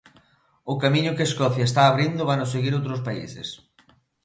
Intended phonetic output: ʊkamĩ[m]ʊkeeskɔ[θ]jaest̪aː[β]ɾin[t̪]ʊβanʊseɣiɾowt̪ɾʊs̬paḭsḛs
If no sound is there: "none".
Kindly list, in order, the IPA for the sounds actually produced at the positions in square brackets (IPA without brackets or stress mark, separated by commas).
ɲ, θ, β, d̪